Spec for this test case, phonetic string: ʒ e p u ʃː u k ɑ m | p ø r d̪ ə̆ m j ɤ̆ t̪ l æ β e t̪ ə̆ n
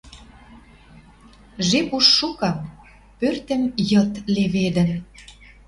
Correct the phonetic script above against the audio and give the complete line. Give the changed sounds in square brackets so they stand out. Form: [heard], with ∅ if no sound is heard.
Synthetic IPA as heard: ʒ e p u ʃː u k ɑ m | p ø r [t̪] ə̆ m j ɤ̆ t̪ l [e] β e [d̪] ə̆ n